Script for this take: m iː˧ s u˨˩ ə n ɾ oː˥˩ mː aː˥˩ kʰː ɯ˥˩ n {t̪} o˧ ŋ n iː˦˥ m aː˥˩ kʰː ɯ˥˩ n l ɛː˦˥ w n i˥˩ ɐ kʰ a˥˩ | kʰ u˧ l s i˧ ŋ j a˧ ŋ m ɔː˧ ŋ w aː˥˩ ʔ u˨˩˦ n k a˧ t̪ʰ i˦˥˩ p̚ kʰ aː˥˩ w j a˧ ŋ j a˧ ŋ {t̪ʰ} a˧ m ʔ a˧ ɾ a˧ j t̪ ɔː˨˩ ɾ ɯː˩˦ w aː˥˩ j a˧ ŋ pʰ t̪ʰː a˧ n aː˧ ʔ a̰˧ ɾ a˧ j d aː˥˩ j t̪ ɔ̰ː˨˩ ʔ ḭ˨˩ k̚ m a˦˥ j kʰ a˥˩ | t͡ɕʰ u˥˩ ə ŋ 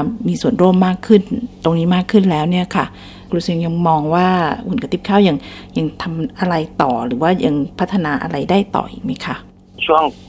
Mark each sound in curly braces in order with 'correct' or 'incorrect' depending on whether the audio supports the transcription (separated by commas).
correct, correct